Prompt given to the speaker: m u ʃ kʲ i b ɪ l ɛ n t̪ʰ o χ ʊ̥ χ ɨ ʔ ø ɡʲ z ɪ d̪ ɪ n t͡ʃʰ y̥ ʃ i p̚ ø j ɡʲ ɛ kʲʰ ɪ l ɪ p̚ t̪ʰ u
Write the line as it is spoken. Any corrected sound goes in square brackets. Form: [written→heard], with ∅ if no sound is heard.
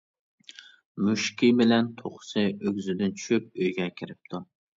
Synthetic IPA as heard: m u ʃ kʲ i b ɪ l ɛ n t̪ʰ o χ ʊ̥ [χ→s] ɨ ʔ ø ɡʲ z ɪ d̪ ɪ n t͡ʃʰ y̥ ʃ [i→y] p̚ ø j ɡʲ ɛ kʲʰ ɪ [l→ɾ] ɪ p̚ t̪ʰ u

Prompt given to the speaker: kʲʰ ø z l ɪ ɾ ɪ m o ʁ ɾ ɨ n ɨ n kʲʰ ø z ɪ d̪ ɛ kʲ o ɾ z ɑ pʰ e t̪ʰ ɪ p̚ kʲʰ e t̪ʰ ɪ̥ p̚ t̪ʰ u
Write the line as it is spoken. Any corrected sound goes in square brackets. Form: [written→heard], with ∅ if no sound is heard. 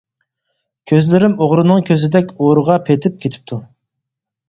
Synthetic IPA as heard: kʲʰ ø z l ɪ ɾ ɪ m o ʁ ɾ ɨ n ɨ [n→ŋ] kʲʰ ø z ɪ d̪ ɛ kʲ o ɾ [z→ʁ] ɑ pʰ e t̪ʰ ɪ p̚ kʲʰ e t̪ʰ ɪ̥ p̚ t̪ʰ u

